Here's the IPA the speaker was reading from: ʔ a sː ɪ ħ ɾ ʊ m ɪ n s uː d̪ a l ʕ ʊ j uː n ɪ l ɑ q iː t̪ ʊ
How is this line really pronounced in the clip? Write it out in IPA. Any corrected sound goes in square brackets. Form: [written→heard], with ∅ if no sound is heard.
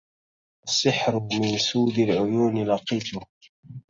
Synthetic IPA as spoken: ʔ a sː ɪ ħ ɾ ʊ m ɪ n s uː d̪ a l ʕ ʊ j uː n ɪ l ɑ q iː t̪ ʊ